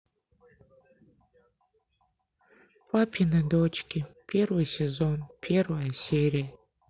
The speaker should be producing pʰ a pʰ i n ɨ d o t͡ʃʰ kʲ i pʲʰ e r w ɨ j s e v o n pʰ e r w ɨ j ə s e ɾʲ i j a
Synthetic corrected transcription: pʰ a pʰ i n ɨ d o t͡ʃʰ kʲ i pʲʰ e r w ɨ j s e z o n pʰ e r w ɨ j a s e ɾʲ i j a